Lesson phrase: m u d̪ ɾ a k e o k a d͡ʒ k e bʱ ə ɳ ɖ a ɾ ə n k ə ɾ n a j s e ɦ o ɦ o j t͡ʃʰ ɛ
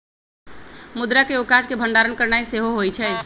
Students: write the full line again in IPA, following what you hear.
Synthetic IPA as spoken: m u d̪ ɾ a k e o k a d͡ʒ k e bʱ ə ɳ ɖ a ɾ ə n k ə ɾ n a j s e ɦ o ɦ o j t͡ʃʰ ɛ